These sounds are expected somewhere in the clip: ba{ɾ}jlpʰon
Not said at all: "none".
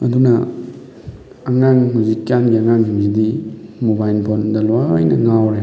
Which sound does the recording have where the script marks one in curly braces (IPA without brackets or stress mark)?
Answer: none